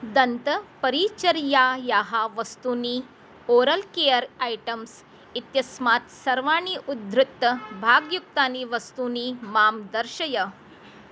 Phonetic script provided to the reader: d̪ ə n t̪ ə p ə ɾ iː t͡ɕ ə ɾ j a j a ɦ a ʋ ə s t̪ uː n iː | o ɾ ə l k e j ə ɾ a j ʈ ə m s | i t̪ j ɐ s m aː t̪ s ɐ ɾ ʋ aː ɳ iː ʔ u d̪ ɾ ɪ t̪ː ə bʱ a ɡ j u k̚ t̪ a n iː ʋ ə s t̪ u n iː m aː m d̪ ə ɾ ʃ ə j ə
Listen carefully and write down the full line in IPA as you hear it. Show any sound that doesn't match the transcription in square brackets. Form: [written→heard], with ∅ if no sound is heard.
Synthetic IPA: d̪ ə n t̪ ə p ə ɾ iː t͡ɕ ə ɾ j a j a ɦ a ʋ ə s t̪ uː n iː | o ɾ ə l k e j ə ɾ a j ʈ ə m s | i t̪ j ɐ s m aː t̪ s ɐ ɾ ʋ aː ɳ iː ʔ u d̪ ɾ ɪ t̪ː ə bʱ a ɡ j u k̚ t̪ a n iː ʋ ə s t̪ u n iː m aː m d̪ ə ɾ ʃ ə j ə